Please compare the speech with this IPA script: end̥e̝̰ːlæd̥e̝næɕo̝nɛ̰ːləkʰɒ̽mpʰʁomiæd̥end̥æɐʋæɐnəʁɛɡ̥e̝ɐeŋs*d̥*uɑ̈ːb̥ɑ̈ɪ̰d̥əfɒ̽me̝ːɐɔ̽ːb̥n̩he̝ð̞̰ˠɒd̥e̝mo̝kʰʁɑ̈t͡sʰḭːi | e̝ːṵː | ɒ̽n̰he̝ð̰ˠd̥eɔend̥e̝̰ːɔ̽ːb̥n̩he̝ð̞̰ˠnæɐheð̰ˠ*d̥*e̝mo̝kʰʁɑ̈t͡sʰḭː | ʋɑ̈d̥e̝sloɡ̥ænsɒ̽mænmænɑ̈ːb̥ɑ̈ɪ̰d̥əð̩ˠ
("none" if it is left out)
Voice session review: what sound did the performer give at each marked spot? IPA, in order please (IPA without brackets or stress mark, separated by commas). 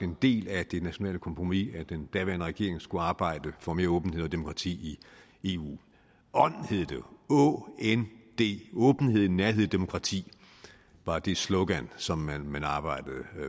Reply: ɡ̥, d̥